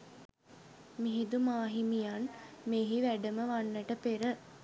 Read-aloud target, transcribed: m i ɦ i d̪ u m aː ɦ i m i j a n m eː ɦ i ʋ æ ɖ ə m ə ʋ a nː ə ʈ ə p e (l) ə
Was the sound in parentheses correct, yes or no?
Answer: no